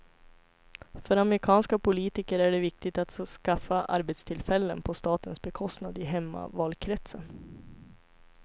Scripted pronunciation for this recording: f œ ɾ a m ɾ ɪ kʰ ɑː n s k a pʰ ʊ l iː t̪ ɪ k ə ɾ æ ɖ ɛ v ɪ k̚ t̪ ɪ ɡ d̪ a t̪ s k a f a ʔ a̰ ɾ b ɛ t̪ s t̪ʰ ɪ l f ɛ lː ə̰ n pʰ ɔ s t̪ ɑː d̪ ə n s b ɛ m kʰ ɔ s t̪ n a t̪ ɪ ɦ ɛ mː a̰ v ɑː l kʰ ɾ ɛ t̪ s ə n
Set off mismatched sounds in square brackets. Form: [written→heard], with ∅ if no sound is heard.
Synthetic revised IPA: f œ ɾ a m ɾ ɪ kʰ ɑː n s k a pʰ ʊ l iː t̪ ɪ k ə ɾ æ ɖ ɛ v ɪ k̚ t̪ ɪ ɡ [d̪→t̪] a t̪ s k a f a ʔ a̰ ɾ b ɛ t̪ s t̪ʰ ɪ l f ɛ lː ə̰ n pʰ ɔ s t̪ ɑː [d̪→t̪] ə n s b ɛ [m→∅] kʰ ɔ s t̪ n a [t̪→d̪] ɪ ɦ ɛ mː a̰ v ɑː l kʰ ɾ ɛ t̪ s ə n